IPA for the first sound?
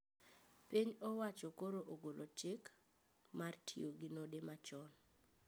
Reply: p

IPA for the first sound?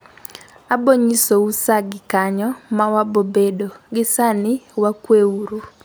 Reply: a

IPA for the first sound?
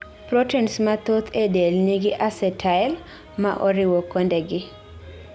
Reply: p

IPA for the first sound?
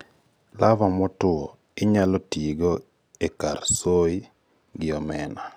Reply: l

